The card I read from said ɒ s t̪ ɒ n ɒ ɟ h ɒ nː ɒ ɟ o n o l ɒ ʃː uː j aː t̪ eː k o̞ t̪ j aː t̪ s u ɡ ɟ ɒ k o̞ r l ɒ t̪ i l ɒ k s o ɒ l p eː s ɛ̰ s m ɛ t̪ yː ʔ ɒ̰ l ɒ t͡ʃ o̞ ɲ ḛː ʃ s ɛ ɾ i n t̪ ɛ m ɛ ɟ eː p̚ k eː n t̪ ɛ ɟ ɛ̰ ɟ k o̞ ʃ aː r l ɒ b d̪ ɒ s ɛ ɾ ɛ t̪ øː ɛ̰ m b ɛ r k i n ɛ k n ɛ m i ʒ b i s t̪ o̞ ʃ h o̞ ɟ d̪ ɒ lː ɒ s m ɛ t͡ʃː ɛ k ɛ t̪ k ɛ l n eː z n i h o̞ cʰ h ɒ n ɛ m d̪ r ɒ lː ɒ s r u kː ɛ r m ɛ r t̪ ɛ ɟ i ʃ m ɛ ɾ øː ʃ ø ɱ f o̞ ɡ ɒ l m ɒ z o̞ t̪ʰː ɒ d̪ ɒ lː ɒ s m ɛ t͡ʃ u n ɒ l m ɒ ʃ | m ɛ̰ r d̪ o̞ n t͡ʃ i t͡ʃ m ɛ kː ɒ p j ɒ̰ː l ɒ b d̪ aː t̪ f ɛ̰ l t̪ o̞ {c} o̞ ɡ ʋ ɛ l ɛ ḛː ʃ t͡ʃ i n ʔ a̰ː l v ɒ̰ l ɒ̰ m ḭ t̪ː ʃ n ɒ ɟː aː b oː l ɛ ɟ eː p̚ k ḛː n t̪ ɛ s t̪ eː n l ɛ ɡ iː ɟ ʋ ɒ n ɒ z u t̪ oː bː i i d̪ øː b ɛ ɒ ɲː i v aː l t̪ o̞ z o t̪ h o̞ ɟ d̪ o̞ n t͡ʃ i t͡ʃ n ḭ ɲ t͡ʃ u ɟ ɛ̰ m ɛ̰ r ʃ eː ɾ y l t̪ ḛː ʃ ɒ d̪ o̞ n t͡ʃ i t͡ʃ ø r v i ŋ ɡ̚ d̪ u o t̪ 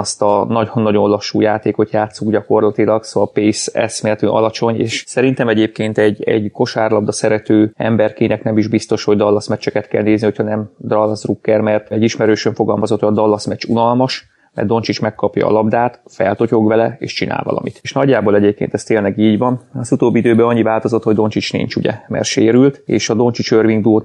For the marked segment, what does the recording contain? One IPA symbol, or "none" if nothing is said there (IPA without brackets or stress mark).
c